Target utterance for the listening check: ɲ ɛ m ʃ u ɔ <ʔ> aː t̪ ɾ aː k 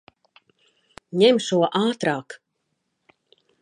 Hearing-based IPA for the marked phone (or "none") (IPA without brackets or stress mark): ʔ